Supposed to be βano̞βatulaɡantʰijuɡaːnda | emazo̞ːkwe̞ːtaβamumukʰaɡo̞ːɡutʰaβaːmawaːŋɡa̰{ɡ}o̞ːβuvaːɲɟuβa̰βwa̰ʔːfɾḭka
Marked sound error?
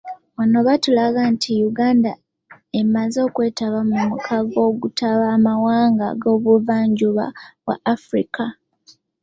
no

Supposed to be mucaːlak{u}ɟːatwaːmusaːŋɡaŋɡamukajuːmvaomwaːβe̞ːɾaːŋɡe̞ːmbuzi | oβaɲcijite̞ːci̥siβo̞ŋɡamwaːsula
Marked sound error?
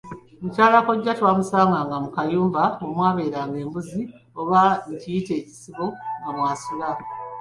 yes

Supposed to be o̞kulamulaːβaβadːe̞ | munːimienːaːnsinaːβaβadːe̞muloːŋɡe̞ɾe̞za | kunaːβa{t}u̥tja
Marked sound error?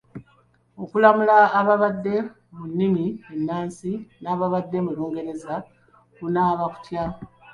yes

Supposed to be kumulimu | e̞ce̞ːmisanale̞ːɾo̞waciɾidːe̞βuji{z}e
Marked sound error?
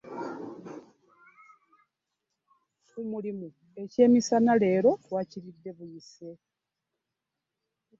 yes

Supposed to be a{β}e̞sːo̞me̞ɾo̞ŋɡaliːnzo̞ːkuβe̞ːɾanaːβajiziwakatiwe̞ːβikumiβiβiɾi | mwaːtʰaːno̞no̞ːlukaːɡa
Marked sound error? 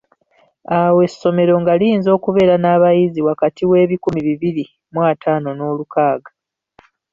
yes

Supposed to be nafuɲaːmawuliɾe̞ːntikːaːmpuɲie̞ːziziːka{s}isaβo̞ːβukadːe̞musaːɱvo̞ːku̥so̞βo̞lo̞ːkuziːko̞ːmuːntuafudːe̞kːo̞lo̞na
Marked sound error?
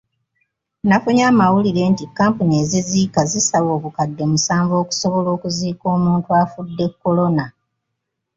yes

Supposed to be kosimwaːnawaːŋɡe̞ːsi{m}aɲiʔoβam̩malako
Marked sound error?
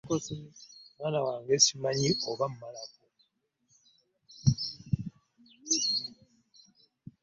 no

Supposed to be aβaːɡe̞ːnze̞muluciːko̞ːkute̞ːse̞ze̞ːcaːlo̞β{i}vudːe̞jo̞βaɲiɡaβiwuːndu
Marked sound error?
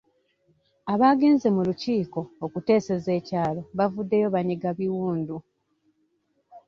yes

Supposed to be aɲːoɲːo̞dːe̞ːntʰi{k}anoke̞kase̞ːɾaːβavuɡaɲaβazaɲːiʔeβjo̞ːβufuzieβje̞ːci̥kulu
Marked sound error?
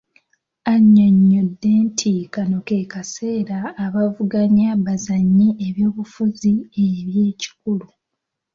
no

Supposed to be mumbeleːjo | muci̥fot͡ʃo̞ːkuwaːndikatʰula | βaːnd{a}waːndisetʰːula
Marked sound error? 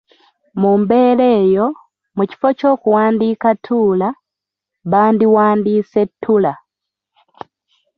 yes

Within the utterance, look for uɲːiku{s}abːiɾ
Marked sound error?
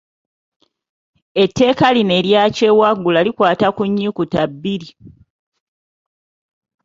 yes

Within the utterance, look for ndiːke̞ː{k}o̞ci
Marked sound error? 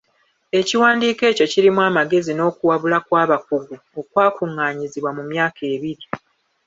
yes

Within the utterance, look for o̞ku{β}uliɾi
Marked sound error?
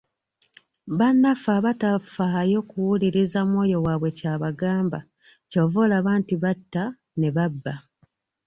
yes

